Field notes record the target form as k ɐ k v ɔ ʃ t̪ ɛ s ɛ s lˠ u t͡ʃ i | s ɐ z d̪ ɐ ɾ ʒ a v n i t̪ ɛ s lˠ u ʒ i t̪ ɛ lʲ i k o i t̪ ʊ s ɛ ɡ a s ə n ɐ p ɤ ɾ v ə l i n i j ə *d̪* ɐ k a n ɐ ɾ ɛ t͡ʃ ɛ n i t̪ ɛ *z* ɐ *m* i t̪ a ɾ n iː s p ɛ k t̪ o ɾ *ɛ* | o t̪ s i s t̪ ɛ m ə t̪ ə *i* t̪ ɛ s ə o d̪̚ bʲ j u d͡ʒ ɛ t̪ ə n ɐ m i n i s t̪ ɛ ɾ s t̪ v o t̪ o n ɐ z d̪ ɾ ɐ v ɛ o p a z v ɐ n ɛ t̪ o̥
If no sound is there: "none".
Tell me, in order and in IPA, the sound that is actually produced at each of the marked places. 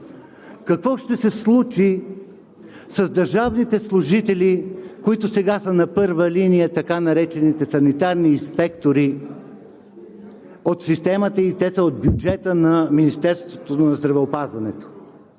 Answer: t̪, s, n, i, i

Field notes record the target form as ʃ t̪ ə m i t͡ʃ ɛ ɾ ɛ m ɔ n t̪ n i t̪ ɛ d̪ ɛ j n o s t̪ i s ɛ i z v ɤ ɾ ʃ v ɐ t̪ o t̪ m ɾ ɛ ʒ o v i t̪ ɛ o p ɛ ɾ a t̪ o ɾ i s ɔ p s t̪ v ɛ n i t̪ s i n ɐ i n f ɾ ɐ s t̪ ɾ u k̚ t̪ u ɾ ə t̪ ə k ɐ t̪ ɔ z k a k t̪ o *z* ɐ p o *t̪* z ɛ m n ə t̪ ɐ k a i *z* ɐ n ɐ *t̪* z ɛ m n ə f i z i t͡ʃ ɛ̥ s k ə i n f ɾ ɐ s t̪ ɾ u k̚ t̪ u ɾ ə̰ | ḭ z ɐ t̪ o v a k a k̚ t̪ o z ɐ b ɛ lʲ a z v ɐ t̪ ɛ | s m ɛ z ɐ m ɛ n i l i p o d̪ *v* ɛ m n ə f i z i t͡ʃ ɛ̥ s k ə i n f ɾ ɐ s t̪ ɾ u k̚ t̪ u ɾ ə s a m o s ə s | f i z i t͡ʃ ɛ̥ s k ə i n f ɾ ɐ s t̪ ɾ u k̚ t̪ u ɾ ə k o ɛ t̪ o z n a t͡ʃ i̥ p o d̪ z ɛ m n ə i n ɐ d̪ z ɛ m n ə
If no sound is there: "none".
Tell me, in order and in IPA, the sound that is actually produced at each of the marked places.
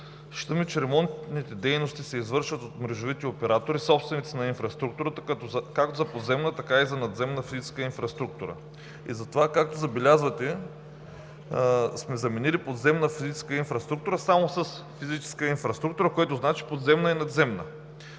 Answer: z, d̪, z, d̪, z

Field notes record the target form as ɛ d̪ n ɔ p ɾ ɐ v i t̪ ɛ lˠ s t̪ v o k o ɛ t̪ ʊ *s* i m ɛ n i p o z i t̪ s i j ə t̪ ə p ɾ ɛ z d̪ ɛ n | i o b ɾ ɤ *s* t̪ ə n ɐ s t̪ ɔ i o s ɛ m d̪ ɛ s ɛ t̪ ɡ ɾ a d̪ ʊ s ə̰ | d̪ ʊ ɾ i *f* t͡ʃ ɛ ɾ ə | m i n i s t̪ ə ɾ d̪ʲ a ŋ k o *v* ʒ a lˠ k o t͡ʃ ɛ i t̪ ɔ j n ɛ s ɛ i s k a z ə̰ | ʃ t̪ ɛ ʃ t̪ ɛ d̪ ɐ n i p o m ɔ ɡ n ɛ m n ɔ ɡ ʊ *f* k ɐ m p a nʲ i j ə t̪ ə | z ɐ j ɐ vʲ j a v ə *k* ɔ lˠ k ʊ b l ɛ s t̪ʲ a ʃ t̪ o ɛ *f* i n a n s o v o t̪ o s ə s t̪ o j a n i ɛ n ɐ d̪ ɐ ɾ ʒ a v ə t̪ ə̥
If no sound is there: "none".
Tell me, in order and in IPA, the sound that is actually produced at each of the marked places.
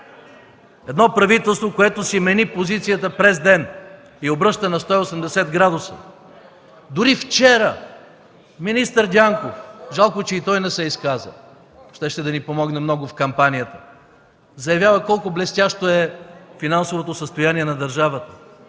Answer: s, ʃ, f, f, f, k, f

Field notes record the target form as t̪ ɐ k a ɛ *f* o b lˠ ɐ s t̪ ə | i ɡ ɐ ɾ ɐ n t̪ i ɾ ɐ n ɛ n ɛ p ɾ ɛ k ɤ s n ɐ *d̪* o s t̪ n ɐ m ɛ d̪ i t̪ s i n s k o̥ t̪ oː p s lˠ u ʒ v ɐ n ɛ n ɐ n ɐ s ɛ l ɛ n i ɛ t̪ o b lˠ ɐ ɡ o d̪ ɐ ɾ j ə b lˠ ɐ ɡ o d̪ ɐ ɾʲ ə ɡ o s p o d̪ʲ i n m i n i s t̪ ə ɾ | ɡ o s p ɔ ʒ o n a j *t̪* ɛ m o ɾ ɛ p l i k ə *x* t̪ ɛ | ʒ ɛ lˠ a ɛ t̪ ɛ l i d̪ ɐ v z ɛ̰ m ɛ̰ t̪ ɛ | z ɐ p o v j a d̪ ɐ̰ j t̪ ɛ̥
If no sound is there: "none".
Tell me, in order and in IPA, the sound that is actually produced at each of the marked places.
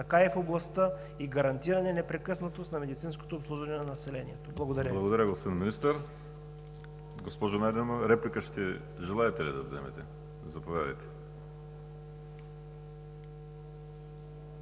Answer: f, t̪, d̪, ʃ

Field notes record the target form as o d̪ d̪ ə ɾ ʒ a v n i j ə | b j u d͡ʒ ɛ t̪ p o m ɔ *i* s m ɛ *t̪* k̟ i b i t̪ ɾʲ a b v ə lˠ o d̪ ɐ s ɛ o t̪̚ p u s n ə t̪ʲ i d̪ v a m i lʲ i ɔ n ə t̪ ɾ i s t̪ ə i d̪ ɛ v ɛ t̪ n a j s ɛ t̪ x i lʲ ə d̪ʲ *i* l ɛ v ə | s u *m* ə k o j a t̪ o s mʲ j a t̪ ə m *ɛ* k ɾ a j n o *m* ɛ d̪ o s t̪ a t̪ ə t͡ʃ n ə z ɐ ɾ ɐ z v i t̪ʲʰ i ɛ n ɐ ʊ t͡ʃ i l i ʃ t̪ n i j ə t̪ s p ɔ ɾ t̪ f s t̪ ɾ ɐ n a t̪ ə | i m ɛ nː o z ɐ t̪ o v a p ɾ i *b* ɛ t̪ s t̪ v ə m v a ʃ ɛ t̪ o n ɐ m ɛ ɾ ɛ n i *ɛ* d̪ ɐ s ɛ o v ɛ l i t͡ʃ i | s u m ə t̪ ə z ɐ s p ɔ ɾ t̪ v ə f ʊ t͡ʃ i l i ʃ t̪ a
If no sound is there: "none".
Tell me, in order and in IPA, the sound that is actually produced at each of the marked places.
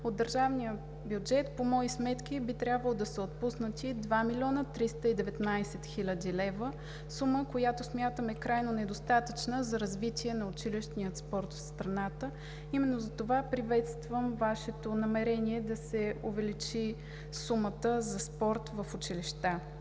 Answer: i, t̪, i, m, ɛ, n, v, ɛ

